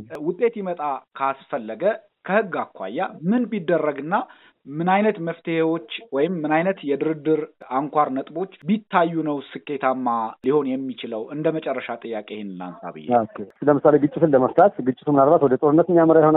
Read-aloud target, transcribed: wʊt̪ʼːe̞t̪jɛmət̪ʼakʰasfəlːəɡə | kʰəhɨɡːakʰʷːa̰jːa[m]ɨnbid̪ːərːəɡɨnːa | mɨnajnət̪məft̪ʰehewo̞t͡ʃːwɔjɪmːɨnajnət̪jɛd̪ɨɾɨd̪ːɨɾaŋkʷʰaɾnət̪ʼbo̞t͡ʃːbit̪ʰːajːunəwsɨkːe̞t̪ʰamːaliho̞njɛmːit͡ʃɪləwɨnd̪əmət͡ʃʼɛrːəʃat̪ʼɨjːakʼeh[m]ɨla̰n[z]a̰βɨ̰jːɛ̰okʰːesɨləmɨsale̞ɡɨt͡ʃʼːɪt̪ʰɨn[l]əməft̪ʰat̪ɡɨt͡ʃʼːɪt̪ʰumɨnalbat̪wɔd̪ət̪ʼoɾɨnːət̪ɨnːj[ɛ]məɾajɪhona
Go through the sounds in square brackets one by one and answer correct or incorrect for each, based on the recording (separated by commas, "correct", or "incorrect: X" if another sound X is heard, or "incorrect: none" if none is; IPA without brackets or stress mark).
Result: correct, incorrect: n, incorrect: s, correct, incorrect: a